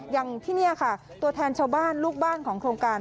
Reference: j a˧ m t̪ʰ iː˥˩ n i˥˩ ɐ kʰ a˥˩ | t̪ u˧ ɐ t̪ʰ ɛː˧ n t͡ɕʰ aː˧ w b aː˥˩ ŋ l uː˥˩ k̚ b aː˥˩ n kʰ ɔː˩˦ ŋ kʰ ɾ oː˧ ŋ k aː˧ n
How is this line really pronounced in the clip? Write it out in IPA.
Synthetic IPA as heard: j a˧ ŋ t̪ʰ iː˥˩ n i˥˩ ɐ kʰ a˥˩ | t̪ u˧ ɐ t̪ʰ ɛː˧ n t͡ɕʰ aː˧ w b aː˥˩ n l uː˥˩ k̚ b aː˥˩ n kʰ ɔː˩˦ ŋ kʰ ɾ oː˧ ŋ k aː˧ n